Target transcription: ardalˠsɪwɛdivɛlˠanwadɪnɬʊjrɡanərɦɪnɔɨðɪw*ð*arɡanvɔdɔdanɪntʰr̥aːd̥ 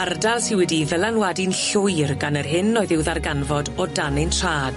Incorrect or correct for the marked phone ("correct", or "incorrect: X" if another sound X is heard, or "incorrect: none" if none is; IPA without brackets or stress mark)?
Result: correct